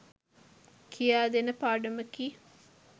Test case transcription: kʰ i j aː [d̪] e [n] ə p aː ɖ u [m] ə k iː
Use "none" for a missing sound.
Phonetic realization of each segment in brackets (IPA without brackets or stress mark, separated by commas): d̪, n, m